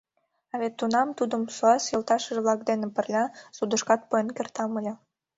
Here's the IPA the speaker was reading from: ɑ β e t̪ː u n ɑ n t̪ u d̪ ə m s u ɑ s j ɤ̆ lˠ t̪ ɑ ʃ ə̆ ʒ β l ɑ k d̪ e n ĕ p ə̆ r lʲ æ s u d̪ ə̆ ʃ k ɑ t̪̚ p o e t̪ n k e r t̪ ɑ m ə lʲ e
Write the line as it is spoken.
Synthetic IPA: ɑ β e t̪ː u n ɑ m t̪ u d̪ ə m s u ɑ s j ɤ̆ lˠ t̪ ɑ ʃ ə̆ ʒ β l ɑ k d̪ e n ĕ p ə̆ r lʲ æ s u d̪ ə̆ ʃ k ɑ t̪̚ p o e n k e r t̪ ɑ m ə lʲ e